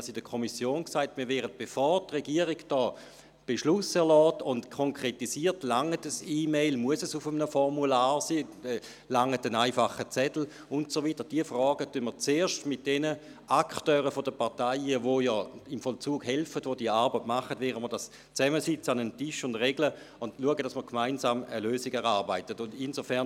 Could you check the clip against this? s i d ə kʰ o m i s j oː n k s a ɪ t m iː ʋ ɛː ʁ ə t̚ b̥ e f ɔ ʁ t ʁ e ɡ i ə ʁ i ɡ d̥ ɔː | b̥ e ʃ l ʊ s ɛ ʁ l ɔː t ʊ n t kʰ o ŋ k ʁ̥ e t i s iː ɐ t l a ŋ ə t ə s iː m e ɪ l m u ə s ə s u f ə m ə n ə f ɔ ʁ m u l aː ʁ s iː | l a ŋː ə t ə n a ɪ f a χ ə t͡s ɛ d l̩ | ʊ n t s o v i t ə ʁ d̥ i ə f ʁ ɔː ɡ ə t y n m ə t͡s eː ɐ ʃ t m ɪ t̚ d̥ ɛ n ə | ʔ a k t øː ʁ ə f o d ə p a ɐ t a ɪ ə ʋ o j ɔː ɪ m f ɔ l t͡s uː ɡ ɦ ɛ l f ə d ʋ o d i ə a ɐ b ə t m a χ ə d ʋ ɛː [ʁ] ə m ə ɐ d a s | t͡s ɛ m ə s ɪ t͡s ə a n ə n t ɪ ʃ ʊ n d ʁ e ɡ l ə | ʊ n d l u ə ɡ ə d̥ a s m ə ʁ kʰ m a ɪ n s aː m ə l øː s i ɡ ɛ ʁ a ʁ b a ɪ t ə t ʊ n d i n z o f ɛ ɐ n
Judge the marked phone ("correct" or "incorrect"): correct